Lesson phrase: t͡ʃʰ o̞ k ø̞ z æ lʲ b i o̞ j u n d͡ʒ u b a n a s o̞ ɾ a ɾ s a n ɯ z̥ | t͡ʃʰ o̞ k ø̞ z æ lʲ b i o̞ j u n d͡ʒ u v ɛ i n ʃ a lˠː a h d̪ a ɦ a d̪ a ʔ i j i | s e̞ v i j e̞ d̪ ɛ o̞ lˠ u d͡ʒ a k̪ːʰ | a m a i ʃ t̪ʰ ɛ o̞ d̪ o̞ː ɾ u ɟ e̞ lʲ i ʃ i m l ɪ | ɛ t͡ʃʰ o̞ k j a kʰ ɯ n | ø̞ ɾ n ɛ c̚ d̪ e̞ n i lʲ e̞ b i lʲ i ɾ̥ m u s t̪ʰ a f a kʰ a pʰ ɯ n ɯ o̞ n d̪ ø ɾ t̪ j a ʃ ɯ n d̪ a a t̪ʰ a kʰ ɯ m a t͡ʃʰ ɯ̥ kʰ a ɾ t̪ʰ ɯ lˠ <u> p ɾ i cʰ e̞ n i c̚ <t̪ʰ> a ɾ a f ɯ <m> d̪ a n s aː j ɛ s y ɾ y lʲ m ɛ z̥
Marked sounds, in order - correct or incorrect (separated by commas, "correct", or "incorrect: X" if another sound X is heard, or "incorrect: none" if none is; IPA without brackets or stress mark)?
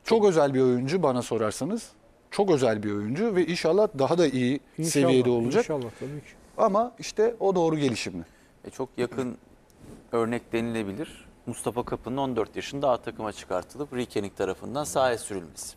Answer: incorrect: ɯ, correct, incorrect: n